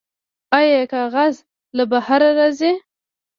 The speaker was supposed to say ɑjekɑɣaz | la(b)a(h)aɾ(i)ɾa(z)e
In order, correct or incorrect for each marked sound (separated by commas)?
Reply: correct, correct, incorrect, correct